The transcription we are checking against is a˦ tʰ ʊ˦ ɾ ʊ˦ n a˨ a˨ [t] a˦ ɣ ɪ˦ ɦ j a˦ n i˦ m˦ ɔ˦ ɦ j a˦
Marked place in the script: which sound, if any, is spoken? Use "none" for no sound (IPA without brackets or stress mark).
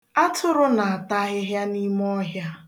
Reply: t